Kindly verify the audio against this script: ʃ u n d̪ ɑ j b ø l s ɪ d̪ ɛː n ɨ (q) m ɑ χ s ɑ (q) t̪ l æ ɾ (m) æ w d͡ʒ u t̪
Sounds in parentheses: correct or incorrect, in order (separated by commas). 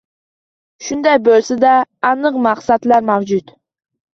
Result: correct, incorrect, correct